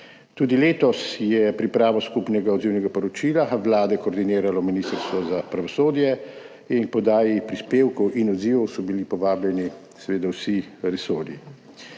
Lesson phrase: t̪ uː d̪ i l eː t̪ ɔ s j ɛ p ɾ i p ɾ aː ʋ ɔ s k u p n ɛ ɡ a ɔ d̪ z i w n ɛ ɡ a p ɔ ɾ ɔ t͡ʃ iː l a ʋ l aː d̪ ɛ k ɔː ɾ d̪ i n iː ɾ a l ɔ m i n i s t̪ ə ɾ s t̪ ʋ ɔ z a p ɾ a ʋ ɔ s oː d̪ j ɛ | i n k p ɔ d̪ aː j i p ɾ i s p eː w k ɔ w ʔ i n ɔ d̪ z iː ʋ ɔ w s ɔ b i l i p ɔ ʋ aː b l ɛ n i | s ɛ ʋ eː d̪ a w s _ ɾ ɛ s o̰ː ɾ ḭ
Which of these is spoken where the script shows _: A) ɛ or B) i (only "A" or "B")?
B